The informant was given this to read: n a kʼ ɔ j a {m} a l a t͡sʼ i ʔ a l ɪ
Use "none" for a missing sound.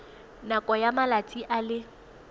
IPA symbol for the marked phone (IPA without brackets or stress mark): m